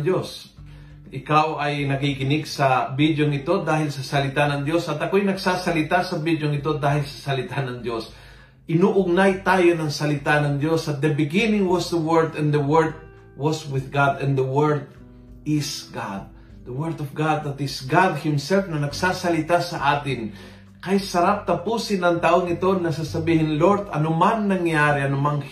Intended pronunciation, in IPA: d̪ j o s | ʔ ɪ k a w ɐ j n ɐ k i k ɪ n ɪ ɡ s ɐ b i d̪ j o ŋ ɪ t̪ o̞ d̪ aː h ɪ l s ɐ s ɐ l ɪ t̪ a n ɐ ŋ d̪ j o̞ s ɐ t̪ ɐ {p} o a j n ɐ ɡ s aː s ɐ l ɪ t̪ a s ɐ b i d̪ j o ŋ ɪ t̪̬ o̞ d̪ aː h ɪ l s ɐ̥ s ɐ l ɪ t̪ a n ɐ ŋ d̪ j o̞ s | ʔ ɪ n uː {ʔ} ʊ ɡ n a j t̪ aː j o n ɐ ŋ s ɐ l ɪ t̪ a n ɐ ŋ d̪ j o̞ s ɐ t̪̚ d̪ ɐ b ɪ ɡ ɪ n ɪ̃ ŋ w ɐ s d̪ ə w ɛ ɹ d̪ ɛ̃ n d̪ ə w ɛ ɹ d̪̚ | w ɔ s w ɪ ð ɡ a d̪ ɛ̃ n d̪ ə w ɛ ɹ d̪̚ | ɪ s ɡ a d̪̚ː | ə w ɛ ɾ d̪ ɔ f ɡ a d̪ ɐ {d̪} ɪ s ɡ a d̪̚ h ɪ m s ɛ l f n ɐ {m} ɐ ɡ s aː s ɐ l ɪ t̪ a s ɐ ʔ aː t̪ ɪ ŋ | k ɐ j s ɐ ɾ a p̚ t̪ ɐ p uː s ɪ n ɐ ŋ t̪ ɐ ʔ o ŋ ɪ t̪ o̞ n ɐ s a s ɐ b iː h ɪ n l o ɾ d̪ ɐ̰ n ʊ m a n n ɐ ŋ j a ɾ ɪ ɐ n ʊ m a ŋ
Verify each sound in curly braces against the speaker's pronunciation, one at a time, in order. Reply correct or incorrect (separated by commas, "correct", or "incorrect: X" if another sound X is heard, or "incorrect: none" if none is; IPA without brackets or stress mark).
incorrect: k, correct, incorrect: t̪, incorrect: n